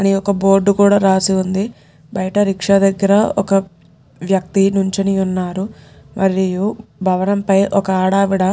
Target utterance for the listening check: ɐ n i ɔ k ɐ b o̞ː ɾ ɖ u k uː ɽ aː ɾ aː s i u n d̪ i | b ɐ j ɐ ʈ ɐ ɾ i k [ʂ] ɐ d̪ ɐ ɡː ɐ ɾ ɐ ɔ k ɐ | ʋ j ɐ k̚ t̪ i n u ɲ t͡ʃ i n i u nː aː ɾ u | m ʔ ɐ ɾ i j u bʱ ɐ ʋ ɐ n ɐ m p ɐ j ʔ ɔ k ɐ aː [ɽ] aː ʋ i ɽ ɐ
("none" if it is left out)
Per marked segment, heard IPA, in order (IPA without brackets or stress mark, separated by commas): ʂ, ɽ